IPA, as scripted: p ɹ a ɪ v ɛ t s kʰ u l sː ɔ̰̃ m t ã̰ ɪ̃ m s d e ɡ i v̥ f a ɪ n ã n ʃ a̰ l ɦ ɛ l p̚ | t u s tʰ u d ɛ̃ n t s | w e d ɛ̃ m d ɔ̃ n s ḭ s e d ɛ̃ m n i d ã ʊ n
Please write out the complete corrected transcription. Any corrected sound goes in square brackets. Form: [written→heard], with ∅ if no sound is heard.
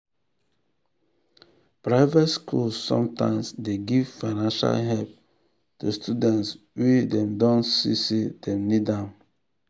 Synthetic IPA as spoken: p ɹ a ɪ v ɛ t s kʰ u l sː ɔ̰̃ m t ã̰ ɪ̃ m s d e ɡ i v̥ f a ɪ n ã n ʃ a̰ l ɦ ɛ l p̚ | t u s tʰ u d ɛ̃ n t s | w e d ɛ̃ m d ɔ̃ n s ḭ s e d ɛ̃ m n i d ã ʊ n